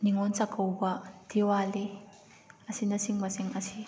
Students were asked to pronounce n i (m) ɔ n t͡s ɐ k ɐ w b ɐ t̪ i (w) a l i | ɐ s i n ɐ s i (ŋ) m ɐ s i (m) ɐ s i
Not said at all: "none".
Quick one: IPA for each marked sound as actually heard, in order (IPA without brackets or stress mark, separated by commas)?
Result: ŋ, w, ŋ, ŋ